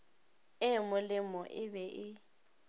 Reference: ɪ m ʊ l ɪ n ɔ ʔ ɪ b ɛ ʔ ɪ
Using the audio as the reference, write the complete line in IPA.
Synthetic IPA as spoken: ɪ m ʊ l ɪ m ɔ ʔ ɪ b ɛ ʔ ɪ